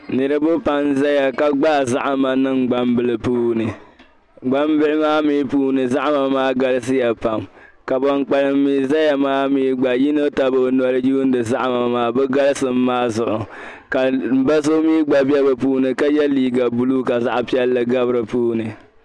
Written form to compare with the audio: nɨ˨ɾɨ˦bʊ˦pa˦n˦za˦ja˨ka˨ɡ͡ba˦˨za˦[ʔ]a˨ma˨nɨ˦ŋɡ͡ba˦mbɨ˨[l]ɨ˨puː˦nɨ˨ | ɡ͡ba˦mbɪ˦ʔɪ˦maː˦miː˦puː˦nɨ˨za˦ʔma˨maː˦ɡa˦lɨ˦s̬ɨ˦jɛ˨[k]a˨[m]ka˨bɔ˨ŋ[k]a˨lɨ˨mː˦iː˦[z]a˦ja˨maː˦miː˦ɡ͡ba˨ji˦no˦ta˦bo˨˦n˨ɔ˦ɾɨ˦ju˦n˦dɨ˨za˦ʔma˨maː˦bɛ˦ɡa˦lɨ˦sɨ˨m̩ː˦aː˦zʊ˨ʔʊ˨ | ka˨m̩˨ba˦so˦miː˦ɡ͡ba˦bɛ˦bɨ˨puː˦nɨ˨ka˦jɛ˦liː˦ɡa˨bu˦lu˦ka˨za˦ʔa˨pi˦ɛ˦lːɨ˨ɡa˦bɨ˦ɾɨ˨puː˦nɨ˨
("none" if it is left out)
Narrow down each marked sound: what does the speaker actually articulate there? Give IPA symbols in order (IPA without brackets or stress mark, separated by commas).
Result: ʔ, l, p, m, k͡p, z